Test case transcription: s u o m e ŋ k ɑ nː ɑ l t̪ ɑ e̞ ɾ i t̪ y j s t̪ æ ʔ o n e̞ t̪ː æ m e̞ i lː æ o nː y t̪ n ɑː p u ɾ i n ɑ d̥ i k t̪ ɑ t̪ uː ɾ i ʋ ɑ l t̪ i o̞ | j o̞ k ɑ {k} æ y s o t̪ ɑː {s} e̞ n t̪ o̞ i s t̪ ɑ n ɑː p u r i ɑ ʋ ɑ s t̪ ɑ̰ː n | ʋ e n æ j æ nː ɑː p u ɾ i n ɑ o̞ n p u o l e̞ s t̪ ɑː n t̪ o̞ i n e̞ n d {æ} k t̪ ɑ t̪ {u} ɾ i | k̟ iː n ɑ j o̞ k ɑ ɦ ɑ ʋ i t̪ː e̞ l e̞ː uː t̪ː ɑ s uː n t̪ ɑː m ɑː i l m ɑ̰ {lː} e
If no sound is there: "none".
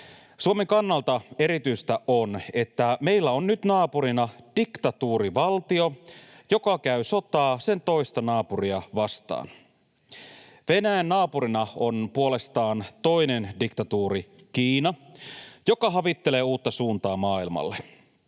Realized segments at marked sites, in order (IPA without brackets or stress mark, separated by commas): k, s, i, uː, lː